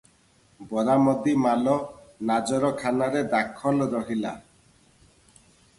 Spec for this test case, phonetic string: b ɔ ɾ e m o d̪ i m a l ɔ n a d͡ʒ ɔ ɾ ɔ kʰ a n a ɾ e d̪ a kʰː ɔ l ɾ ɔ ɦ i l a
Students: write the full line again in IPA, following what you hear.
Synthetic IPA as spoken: b ɔ ɾ a m ɔ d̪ i m a l ɔ n a d͡ʒ ɔ ɾ ɔ kʰ a n a ɾ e d̪ a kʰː ɔ l ɾ ɔ ɦ i l a